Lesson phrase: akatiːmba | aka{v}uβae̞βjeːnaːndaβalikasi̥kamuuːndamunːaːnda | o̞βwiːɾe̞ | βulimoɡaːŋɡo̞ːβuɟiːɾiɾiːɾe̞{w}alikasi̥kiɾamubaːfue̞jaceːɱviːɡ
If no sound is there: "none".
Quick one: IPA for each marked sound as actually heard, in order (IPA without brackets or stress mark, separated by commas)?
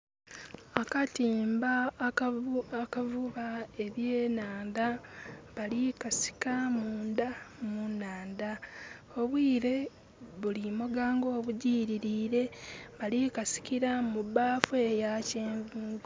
v, β